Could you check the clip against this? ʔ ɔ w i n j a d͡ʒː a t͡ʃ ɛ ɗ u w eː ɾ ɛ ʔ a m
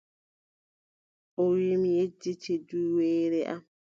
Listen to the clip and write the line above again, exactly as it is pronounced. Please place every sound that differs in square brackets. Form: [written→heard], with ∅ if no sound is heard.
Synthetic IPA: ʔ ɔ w i [n→m] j [a→e] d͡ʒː [a→i] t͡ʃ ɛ [ɗ→d] u w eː ɾ ɛ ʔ a m